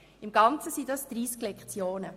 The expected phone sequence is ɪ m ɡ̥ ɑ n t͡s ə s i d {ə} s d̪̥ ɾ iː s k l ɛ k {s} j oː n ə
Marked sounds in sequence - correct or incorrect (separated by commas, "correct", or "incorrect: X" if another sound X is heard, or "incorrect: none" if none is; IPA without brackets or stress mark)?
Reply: incorrect: ɑ, incorrect: t͡s